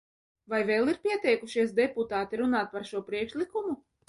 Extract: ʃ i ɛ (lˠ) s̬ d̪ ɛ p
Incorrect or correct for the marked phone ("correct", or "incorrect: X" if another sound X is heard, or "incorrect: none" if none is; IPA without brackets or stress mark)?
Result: incorrect: none